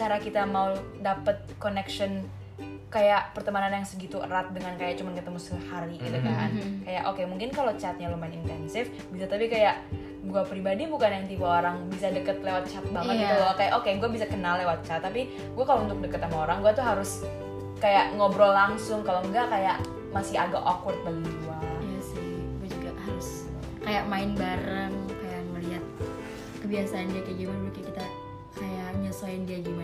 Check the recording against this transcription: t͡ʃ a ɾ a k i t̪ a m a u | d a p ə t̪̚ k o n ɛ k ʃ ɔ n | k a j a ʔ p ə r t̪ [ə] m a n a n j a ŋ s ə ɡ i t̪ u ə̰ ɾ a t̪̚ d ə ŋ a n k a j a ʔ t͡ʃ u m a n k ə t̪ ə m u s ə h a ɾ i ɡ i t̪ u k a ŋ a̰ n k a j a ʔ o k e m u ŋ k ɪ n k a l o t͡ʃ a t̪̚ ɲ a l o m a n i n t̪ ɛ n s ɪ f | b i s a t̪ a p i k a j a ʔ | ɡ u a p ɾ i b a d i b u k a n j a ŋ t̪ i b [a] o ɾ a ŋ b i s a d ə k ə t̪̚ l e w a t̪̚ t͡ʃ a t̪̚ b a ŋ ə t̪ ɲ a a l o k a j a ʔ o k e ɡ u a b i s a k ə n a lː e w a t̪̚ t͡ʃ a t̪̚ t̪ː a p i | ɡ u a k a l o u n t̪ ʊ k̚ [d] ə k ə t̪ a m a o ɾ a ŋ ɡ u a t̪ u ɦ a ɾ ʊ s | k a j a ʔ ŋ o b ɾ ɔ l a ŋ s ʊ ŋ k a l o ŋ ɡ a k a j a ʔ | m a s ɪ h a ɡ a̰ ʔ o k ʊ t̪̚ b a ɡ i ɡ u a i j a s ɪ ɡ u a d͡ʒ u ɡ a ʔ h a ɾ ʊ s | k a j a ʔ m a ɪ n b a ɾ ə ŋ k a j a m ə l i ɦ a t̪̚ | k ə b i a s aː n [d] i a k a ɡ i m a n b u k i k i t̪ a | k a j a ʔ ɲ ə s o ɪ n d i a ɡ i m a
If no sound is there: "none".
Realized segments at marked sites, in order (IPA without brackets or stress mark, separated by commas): ə, a, d, d